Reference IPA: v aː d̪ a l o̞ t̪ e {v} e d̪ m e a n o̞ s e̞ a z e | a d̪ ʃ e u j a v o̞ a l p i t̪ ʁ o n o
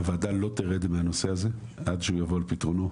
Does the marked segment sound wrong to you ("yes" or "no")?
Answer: yes